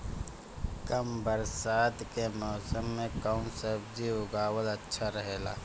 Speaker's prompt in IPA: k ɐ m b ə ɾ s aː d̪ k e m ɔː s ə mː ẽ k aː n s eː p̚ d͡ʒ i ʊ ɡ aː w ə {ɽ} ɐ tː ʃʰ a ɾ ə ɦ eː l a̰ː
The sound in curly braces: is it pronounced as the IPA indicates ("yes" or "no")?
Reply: no